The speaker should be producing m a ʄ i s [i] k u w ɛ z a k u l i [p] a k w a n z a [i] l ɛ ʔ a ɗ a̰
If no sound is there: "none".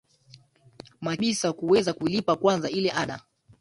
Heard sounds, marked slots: a, p, i

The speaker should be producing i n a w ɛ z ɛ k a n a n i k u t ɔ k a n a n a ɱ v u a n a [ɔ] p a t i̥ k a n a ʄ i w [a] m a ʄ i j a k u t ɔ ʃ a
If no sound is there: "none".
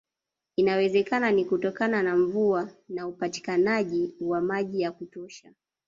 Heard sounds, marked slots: u, a

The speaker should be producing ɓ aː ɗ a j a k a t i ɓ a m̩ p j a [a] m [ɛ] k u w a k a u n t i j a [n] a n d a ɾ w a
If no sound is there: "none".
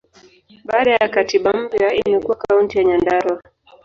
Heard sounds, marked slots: i, ɛ, ɲ

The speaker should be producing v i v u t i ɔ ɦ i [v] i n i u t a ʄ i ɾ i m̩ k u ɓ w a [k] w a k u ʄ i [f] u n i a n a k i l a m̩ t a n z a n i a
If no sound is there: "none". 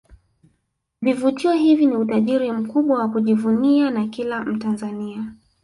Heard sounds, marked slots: v, none, v

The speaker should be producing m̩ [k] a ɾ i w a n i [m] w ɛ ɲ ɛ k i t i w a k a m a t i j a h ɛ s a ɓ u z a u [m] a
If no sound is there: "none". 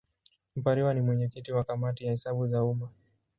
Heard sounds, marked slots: p, m, m

